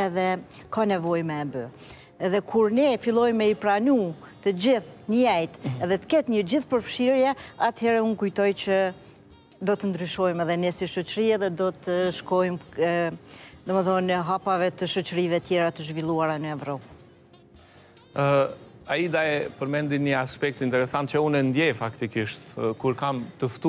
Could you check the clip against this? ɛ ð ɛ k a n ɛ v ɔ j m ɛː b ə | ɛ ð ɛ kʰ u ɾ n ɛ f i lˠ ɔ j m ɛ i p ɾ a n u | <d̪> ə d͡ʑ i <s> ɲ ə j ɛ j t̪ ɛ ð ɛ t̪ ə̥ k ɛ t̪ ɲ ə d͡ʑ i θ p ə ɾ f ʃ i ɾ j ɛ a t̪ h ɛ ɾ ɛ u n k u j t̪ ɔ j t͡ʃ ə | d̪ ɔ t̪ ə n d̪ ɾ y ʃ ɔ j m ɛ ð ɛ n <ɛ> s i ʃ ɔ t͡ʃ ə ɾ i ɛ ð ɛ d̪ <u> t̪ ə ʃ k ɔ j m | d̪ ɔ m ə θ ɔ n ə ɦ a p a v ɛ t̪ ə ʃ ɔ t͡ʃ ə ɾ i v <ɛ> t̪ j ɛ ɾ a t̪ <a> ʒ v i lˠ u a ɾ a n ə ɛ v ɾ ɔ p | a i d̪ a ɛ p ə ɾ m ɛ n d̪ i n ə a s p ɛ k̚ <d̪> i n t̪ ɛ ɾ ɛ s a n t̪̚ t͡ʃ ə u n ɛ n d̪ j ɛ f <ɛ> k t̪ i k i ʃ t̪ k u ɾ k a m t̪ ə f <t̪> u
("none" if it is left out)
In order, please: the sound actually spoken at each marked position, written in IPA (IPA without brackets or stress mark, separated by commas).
t̪, θ, ɛ, ɔ, ɛ, ə, t̪, a, t̪